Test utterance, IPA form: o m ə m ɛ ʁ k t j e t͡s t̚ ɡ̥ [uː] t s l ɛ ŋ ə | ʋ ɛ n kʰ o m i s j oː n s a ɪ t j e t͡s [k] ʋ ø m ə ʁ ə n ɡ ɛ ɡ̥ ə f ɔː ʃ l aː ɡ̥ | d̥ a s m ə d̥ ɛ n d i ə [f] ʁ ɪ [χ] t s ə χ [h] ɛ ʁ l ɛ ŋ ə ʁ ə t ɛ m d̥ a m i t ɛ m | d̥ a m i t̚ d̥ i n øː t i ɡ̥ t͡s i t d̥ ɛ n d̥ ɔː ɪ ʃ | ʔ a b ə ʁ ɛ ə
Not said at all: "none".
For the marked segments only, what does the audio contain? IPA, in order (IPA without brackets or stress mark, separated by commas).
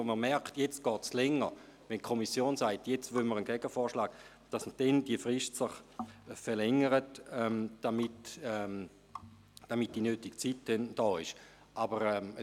ɔː, t, f, ʃ, f